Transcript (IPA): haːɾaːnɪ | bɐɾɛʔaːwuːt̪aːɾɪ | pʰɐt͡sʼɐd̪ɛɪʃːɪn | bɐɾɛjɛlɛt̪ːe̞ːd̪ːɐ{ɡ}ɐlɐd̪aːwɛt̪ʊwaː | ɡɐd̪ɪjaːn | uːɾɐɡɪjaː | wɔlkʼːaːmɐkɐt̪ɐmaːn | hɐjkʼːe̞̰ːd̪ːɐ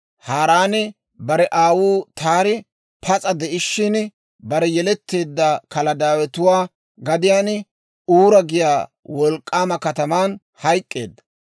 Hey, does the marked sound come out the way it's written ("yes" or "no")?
no